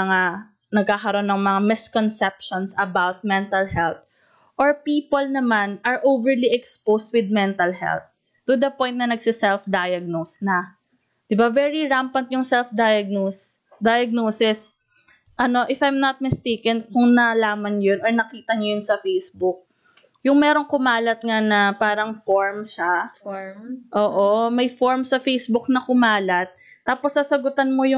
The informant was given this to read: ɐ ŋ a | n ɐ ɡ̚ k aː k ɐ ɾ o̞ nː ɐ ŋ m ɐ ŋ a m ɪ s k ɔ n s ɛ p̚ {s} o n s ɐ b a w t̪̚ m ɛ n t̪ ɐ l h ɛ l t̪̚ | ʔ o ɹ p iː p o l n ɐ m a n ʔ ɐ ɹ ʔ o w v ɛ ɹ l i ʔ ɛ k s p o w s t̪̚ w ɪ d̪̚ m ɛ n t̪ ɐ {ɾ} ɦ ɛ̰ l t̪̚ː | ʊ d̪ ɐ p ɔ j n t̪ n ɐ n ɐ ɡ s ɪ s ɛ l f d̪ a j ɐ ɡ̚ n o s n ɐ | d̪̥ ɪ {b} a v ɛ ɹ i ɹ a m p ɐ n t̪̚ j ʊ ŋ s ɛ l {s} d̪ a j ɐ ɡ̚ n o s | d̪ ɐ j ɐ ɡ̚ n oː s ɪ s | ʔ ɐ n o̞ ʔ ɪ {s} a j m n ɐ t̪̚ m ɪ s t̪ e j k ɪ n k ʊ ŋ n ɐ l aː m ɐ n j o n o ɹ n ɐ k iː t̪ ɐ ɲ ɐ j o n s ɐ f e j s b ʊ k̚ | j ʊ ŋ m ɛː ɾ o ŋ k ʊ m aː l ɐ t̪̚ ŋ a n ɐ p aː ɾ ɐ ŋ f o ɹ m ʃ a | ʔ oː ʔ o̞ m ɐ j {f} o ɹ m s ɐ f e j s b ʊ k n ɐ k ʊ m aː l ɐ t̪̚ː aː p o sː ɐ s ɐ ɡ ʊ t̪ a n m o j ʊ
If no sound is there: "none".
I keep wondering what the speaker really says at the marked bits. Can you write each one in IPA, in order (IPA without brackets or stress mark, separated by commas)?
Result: ʃ, l, b, f, f, f